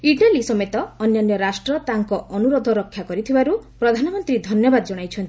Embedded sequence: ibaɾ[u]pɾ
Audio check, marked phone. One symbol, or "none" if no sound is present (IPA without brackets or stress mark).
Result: u